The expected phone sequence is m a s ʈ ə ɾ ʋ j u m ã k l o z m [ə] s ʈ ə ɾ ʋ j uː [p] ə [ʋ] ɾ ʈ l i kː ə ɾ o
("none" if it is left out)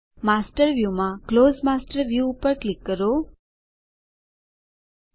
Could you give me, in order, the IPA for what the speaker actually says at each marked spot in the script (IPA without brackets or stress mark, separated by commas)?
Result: a, p, none